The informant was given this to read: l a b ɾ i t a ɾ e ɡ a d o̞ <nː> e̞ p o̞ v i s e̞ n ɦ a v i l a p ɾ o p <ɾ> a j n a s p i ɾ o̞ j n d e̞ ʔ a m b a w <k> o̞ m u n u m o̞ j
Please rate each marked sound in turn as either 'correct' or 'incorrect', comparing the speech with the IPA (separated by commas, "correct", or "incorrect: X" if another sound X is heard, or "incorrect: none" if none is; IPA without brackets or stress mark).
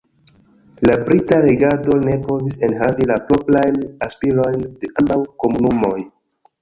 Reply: incorrect: n, incorrect: l, correct